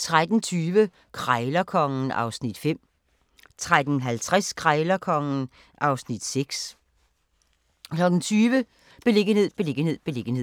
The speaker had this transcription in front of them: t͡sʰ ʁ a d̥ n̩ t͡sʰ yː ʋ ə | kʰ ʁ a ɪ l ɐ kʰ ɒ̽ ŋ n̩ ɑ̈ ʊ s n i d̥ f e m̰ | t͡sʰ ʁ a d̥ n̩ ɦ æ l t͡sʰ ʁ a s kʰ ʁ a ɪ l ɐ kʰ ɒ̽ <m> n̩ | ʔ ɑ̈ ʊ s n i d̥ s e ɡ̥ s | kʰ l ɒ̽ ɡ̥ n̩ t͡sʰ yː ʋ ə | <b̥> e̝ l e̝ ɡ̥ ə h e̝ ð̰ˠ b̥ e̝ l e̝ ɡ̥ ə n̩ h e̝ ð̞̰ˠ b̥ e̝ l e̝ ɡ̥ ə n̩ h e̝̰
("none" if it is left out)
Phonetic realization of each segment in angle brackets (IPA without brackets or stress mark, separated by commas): ŋ, b̥